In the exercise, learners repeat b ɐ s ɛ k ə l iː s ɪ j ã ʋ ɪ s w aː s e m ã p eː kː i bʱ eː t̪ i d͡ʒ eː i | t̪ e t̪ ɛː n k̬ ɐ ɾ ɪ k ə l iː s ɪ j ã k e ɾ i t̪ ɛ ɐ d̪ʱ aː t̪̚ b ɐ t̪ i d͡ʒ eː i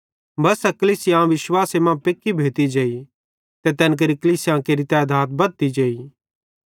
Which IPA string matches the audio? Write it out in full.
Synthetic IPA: b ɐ s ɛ k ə l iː s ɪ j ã ʋ ɪ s w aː s e m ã p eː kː i bʱ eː t̪ i d͡ʒ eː i | t̪ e t̪ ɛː n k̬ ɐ ɾ i k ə l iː s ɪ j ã k e ɾ i t̪ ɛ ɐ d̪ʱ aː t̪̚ b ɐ t̪ i d͡ʒ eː i